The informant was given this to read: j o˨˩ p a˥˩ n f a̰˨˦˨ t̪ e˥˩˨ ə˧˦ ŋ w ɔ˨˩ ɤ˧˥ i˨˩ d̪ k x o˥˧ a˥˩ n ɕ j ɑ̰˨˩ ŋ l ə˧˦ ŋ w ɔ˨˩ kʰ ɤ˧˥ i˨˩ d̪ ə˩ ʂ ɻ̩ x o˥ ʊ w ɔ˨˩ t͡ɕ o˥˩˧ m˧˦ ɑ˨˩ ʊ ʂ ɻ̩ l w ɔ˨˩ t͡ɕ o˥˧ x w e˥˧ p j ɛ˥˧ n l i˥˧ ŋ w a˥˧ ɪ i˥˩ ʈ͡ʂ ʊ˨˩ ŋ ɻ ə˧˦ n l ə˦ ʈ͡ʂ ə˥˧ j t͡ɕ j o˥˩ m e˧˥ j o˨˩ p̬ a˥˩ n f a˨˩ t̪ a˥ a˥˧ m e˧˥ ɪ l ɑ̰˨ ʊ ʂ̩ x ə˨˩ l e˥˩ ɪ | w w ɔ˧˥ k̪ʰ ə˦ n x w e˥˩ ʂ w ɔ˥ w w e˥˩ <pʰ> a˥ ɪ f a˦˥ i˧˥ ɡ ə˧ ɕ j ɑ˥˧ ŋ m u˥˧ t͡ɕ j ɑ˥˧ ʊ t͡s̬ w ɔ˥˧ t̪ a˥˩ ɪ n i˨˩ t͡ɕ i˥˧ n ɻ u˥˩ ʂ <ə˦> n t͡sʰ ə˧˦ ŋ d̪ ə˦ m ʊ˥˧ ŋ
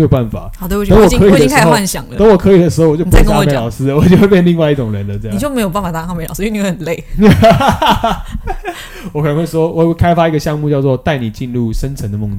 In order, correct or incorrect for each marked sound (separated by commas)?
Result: incorrect, correct